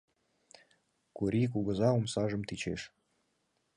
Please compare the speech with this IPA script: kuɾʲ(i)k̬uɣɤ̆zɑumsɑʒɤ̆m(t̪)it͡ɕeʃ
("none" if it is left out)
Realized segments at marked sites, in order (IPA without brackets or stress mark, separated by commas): i, t̪